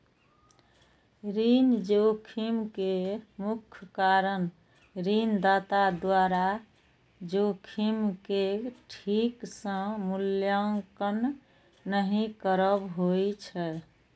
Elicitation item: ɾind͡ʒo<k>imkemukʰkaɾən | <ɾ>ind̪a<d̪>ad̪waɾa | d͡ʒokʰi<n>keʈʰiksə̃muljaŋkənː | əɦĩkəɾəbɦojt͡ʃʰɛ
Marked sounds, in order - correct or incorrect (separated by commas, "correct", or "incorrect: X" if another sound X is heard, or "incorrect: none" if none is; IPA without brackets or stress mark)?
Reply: incorrect: kʰ, correct, incorrect: t̪, incorrect: m